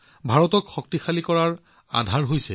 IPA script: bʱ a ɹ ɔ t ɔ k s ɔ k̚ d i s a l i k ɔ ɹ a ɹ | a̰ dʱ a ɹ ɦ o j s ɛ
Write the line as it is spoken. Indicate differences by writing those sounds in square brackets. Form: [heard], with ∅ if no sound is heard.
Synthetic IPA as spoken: bʱ a ɹ ɔ t ɔ k [x] ɔ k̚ [t] i [x] a l i k ɔ ɹ a ɹ | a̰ dʱ a ɹ ɦ o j s ɛ

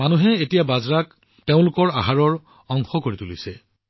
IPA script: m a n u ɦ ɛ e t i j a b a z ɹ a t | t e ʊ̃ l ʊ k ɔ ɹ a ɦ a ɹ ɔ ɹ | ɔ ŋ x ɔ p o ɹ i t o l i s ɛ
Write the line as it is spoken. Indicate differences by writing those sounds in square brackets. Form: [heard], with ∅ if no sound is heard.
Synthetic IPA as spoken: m a n u ɦ ɛ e t i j a b a z ɹ a [k] | t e ʊ̃ l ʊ k ɔ ɹ a ɦ a ɹ ɔ ɹ | ɔ ŋ x ɔ [k] o ɹ i t [u] l i s ɛ

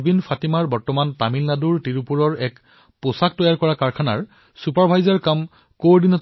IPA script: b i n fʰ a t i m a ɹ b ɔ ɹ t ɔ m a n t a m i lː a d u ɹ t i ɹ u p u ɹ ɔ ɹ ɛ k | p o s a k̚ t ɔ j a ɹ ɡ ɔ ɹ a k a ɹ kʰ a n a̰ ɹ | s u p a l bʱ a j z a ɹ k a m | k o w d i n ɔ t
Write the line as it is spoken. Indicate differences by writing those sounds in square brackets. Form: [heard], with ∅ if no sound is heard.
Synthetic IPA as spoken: b i n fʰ a t i m a ɹ b ɔ ɹ t ɔ m a n t a m i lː a d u ɹ t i ɹ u p u ɹ ɔ ɹ ɛ k | p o s a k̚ t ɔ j a ɹ [k] ɔ ɹ a k a ɹ kʰ a n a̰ ɹ | s u p a [ɹ] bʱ a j z a ɹ k a m | k o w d i n ɔ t

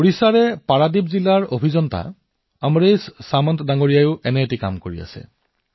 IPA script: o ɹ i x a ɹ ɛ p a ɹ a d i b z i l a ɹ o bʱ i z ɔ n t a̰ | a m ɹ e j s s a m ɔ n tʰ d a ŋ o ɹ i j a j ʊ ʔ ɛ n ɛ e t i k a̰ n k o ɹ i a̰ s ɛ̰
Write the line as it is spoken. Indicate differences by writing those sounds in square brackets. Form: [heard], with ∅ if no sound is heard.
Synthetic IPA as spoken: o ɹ i [s] a ɹ ɛ p a ɹ a d i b z i l a ɹ o bʱ i z ɔ n t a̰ | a m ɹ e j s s a m ɔ n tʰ d a ŋ o ɹ i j a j ʊ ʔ ɛ n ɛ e t i k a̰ [m] k o ɹ i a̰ s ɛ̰

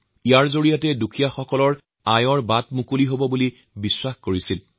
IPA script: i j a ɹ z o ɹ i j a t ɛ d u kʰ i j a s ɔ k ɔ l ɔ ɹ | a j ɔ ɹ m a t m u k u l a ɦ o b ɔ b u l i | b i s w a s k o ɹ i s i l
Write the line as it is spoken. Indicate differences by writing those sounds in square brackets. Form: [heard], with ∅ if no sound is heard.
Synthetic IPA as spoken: i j a ɹ z o ɹ i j a t ɛ d u kʰ i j a [x] ɔ k ɔ l ɔ ɹ | a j ɔ ɹ [b] a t m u k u l [i] ɦ o b ɔ b u l i | b i s w a [x] k o ɹ i s i l

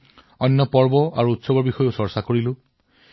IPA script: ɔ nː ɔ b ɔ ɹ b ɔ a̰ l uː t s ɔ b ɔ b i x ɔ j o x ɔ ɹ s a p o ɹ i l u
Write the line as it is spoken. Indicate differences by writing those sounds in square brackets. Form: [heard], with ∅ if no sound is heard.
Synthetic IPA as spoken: ɔ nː ɔ [p] ɔ ɹ b ɔ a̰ [ɹ] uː t s ɔ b ɔ b i x ɔ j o [s] ɔ ɹ s a [k] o ɹ i l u

